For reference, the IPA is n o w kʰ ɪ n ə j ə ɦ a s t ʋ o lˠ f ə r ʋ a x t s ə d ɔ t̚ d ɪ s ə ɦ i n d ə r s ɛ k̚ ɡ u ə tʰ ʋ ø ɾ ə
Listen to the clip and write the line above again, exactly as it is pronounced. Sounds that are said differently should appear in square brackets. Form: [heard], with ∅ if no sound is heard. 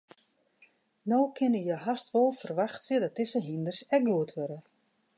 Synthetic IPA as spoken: n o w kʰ ɪ n ə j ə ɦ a s t ʋ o lˠ f ə r ʋ a x t s ə d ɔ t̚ d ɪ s ə ɦ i n d ə r s ɛ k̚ ɡ u ə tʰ ʋ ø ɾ ə

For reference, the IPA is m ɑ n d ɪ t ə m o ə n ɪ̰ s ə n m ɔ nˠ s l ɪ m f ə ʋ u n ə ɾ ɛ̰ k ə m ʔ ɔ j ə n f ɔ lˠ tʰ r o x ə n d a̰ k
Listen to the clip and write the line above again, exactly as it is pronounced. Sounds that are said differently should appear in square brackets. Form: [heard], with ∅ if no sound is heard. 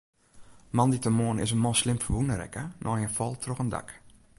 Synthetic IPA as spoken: m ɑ n d [i] t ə m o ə n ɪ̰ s ə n m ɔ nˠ s l ɪ m f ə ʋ u n ə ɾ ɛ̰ k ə [n] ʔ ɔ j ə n f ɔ lˠ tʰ r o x ə n d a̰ k

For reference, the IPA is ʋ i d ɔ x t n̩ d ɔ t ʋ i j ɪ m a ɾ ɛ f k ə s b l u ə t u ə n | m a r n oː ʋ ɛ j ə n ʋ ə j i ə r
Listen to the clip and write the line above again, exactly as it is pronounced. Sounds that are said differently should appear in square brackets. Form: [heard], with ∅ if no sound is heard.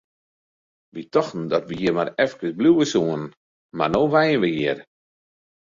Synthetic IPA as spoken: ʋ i [t] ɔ x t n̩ d ɔ t ʋ i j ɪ m a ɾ ɛ f k ə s b l u ə [s] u ə n | m a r n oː ʋ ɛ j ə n ʋ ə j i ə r

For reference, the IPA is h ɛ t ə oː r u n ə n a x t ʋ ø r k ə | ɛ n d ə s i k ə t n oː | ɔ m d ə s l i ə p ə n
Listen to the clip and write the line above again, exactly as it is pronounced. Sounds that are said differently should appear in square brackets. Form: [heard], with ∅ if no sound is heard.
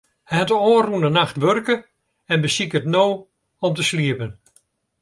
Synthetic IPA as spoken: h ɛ t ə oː r u n ə n a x t ʋ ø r k ə | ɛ n [b] ə s i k ə t n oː | ɔ m [t] ə s l i ə p ə n

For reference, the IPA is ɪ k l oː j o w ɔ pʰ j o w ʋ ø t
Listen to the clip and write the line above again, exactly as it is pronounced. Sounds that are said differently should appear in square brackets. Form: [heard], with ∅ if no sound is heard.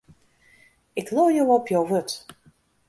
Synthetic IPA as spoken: ɪ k l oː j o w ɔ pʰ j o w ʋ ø t

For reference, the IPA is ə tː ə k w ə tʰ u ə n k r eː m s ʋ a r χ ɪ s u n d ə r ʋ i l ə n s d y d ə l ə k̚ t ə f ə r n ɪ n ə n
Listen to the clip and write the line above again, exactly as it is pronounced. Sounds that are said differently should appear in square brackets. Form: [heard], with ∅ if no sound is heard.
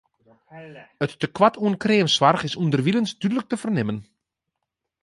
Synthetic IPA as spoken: ə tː ə k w [a] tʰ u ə n k r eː m s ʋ a r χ ɪ s u n d ə r ʋ i l ə n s d y d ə l ə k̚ t ə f ə r n ɪ [m] ə n

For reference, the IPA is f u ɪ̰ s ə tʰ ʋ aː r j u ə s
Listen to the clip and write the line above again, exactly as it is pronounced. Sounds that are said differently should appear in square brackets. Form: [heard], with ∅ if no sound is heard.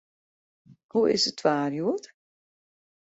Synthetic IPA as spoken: [h] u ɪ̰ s ə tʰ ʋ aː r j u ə [t]

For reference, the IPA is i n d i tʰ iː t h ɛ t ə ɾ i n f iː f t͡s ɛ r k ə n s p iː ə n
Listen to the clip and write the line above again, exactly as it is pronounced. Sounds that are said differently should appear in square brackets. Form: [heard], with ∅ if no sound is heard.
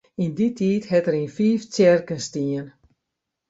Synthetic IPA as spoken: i n d i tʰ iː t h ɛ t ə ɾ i n f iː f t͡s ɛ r k ə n s [t] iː ə n

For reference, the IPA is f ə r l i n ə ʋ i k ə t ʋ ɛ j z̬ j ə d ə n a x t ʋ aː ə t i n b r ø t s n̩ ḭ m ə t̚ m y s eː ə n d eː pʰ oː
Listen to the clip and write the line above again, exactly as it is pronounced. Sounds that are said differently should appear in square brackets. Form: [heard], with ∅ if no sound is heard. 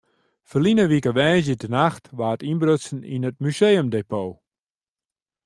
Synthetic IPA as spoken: f ə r l i n ə ʋ i k ə [∅] ʋ ɛ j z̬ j ə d ə n a x t ʋ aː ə t i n b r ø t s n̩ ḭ [n] ə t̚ m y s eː ə [m] d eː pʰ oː

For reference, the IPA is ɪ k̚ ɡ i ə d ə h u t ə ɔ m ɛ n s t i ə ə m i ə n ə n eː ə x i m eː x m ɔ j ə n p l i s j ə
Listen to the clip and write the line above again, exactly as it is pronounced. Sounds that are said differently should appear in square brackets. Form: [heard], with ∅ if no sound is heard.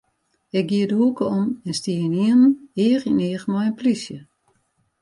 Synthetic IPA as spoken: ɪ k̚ ɡ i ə d ə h u [k] ə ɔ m ɛ n s t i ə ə [n] i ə n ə n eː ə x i [n] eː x m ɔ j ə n p l i s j ə

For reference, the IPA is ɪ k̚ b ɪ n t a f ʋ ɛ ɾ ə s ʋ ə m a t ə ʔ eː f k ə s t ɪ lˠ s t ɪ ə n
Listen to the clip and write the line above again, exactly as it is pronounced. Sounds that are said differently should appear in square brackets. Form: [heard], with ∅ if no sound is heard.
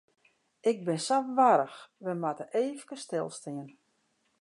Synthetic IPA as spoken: ɪ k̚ b ɪ n [s] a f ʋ [a] ɾ ə [x] ʋ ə m a t ə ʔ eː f k ə s t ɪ lˠ s t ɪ ə n

